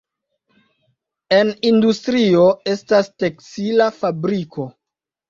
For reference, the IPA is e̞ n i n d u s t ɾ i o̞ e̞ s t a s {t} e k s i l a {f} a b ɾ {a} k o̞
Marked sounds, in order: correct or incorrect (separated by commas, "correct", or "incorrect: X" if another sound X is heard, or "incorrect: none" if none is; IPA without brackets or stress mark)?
correct, correct, incorrect: i